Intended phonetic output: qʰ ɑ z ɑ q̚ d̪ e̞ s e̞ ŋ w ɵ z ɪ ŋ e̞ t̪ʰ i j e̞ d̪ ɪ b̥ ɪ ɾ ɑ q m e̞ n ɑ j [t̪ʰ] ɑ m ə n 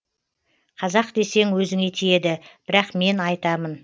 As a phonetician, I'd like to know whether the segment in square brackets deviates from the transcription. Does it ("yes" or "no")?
yes